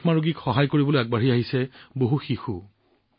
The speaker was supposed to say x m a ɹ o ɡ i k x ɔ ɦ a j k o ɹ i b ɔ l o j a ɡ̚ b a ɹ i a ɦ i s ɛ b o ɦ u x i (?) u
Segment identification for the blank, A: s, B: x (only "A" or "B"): B